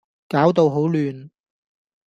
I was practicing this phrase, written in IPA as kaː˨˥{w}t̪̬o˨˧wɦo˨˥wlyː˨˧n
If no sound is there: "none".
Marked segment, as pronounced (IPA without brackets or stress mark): w